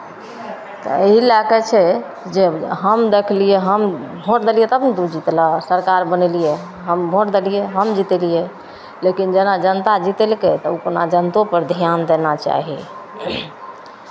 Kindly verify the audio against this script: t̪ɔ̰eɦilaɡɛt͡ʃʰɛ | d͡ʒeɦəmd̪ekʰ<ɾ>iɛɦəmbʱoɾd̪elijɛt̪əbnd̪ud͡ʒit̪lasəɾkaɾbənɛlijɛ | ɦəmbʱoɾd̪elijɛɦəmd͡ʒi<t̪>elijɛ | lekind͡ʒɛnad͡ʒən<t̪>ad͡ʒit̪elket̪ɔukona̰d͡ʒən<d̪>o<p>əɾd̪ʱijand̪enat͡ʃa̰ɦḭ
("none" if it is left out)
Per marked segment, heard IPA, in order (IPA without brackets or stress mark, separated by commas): l, t̪, t̪, t̪, p